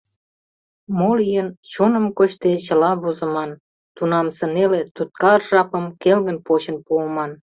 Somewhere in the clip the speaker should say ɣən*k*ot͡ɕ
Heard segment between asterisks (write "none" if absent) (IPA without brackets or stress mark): p